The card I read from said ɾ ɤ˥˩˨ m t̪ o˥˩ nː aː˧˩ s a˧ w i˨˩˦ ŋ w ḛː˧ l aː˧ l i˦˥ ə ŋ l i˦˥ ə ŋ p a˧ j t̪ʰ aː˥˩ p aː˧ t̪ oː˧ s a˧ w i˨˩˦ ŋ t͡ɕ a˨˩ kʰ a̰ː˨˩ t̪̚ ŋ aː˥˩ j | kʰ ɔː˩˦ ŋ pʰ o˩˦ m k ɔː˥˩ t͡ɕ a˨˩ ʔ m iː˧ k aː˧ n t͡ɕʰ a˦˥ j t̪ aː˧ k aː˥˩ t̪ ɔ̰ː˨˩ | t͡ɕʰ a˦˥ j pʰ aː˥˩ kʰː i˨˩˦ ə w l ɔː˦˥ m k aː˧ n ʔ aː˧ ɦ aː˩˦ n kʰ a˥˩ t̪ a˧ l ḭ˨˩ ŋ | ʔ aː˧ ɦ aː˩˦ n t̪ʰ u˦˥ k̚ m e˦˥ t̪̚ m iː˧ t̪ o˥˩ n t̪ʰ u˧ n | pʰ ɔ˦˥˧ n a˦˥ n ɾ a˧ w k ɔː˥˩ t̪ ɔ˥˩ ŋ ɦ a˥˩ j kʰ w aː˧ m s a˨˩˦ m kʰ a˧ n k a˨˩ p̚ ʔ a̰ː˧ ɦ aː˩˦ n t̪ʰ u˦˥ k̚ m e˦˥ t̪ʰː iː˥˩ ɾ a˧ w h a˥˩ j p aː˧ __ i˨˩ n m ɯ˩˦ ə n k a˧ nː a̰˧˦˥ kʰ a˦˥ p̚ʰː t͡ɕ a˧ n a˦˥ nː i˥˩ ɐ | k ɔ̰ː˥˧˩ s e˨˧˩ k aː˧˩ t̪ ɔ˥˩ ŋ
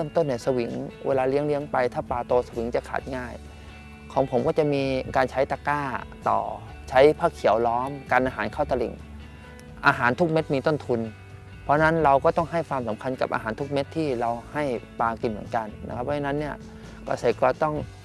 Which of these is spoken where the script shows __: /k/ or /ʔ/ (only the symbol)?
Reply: k